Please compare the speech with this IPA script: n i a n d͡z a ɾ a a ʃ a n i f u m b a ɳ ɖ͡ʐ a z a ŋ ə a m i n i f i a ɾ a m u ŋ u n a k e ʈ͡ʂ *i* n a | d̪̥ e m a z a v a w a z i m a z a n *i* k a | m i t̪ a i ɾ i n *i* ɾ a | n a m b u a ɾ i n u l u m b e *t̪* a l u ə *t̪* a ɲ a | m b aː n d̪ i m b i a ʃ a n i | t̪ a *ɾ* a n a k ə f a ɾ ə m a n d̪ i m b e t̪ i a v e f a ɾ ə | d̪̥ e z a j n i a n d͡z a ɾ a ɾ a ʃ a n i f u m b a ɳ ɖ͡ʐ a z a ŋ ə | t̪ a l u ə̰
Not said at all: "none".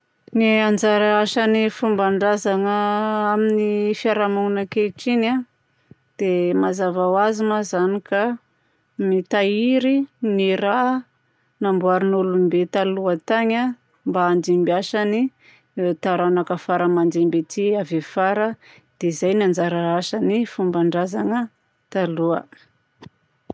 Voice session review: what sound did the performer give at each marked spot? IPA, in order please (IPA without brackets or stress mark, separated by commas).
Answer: i, i, i, t̪, t̪, ɾ